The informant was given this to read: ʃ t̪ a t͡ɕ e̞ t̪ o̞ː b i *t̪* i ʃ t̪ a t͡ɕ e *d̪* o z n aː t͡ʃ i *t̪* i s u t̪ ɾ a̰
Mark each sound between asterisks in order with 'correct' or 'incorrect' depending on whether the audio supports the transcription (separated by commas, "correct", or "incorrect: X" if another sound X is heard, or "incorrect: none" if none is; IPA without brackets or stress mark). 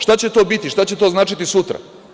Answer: correct, incorrect: t̪, correct